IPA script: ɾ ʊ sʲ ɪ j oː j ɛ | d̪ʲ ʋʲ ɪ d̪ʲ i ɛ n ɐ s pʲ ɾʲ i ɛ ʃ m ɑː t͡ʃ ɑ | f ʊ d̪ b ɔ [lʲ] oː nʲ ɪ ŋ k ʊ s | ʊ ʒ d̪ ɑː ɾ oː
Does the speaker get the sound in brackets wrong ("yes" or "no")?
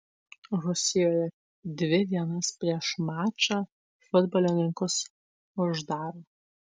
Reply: no